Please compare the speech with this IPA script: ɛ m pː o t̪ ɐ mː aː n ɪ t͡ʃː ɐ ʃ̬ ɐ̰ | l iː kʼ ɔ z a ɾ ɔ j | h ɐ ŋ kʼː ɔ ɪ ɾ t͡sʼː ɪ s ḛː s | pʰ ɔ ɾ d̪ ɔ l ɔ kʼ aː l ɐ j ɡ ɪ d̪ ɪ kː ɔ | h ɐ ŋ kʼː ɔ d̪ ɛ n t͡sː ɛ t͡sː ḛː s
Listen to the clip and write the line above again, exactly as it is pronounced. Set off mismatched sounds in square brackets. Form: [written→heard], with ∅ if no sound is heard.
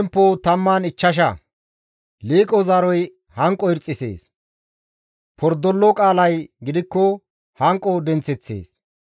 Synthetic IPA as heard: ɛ m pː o t̪ ɐ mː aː n ɪ t͡ʃː ɐ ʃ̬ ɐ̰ | l iː kʼ ɔ z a ɾ ɔ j | h ɐ ŋ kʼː ɔ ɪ ɾ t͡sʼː ɪ s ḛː s | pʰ ɔ ɾ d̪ ɔ [l→lː] ɔ kʼ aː l ɐ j ɡ ɪ d̪ ɪ kː ɔ | h ɐ ŋ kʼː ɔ d̪ ɛ n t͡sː ɛ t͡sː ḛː s